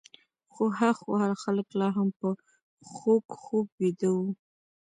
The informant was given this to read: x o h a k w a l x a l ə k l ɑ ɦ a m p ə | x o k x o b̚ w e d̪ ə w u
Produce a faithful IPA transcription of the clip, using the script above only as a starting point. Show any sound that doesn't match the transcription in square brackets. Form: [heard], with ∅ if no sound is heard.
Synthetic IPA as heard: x o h a [x] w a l x a l ə k l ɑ ɦ a m p ə | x o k x o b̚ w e d̪ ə w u